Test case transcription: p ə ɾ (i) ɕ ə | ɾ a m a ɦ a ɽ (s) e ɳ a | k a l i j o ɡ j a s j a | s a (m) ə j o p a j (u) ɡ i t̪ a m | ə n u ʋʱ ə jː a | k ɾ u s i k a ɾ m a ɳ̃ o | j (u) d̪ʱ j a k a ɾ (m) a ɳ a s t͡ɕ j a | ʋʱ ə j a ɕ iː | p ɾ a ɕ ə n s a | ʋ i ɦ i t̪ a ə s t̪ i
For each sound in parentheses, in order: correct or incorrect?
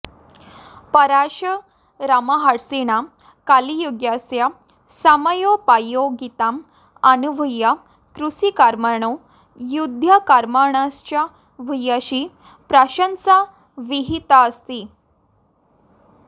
incorrect: a, correct, correct, incorrect: o, correct, correct

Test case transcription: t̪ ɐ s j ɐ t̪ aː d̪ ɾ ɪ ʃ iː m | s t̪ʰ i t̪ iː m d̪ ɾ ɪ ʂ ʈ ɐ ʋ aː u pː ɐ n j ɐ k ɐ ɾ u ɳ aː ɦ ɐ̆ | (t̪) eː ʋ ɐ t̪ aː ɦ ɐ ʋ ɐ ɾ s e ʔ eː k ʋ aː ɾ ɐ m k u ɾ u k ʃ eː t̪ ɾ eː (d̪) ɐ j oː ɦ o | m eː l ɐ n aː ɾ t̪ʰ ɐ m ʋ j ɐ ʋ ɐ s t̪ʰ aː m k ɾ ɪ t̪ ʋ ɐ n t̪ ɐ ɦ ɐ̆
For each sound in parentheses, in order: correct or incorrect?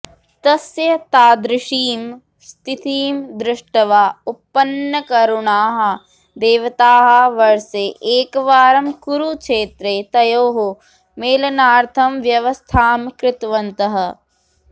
incorrect: d̪, incorrect: t̪

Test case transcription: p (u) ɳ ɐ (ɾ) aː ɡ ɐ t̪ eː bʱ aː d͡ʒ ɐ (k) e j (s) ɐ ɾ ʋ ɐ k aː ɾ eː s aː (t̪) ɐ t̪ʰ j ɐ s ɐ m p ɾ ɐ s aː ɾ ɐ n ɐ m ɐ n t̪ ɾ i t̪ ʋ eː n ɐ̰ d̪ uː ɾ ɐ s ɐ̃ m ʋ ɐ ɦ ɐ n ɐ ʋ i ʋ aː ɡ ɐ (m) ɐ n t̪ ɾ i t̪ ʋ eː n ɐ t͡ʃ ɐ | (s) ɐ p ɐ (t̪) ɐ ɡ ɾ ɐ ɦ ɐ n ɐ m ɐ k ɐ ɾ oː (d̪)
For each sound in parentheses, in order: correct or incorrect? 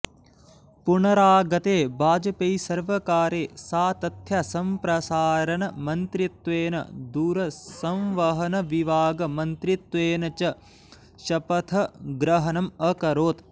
correct, correct, incorrect: p, correct, correct, correct, incorrect: ʃ, incorrect: t̪ʰ, incorrect: t̪

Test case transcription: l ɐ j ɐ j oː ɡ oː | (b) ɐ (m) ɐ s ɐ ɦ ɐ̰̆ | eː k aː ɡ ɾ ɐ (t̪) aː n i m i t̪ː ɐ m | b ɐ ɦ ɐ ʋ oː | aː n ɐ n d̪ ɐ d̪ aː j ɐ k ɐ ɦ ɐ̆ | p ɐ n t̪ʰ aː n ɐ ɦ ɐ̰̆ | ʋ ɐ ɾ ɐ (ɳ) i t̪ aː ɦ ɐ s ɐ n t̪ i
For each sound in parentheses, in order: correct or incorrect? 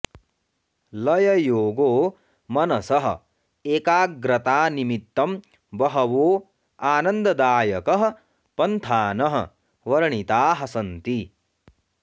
incorrect: m, incorrect: n, correct, correct

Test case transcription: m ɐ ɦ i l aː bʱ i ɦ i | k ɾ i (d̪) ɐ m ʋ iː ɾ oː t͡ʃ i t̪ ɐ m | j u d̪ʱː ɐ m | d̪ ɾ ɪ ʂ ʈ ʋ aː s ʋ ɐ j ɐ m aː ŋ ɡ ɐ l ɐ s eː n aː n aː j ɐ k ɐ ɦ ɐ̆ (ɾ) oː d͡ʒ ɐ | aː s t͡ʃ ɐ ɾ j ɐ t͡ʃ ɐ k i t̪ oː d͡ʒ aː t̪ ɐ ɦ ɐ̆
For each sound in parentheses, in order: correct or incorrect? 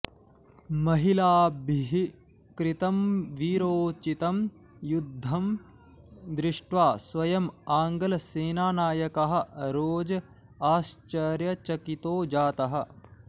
incorrect: t̪, correct

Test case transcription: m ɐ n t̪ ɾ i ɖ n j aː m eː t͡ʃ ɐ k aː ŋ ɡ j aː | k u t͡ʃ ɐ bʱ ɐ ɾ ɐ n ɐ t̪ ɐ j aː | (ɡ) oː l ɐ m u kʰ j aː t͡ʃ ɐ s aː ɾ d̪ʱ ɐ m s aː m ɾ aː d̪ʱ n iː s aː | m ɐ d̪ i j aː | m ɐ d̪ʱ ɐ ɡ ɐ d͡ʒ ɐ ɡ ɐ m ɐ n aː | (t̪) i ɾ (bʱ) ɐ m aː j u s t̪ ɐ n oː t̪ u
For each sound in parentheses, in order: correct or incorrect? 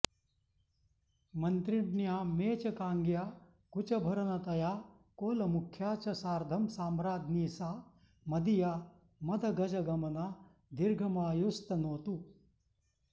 incorrect: k, incorrect: d̪, incorrect: ɡʱ

